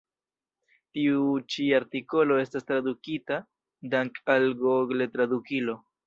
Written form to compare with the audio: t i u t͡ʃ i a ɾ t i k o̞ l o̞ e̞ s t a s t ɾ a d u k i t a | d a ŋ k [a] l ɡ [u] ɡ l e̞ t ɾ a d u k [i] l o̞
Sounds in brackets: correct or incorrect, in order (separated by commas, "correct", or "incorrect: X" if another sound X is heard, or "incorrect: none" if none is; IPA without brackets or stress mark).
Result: correct, incorrect: o, correct